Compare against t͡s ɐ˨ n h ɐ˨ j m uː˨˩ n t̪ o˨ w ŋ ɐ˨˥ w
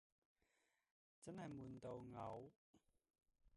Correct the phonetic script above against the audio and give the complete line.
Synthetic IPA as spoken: t͡s ɐ˥ n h ɐ˨ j m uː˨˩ n t̪ o˨ w ŋ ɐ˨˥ w